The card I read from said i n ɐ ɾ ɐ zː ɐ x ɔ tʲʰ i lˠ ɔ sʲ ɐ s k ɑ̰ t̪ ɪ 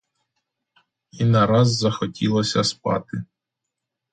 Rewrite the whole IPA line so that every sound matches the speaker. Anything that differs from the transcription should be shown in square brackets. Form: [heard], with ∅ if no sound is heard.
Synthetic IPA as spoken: i n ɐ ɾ [ɑ] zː ɐ x ɔ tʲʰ i lˠ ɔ sʲ ɐ s [p] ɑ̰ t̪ ɪ